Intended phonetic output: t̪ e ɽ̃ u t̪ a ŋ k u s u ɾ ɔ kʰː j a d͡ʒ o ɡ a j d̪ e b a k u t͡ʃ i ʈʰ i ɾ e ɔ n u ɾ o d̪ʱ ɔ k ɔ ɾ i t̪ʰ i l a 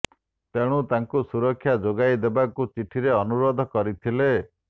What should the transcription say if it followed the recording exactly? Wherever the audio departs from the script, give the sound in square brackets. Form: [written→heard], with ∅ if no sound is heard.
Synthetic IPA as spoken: t̪ e ɽ̃ u t̪ a ŋ k u s u ɾ ɔ kʰː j a d͡ʒ o ɡ a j d̪ e b a k u t͡ʃ i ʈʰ i ɾ e ɔ n u ɾ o d̪ʱ ɔ k ɔ ɾ i t̪ʰ i l [a→e]